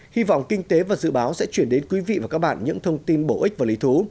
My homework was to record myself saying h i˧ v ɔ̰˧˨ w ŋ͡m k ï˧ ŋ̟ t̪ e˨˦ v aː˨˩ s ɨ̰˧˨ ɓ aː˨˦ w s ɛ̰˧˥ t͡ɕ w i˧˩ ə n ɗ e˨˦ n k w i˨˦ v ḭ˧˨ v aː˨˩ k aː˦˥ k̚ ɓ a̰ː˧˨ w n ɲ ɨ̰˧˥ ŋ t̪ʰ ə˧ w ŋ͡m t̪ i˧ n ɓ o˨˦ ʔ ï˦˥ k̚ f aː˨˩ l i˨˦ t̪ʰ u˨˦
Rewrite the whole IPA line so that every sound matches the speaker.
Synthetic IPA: h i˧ v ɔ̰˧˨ w ŋ͡m k ï˧ ŋ̟ t̪ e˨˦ v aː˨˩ z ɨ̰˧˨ ɓ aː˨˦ w s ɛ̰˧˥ t͡ɕ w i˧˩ ə n ɗ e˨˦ n k w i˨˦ v ḭ˧˨ v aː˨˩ k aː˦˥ k̚ ɓ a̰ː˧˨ n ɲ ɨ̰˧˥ ŋ t̪ʰ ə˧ w ŋ͡m t̪ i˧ n ɓ o˧˩ ʔ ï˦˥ k̚ v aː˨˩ l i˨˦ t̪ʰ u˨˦